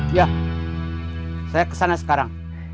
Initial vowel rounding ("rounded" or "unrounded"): unrounded